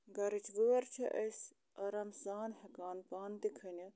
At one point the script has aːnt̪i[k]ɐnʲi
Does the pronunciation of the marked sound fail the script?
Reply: yes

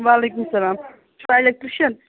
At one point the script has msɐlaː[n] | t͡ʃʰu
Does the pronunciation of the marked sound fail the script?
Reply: yes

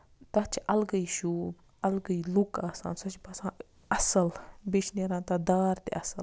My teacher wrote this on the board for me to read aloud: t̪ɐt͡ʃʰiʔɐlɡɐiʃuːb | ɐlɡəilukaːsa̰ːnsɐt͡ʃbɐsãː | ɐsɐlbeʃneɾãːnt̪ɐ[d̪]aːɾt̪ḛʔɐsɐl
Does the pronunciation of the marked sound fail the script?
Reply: no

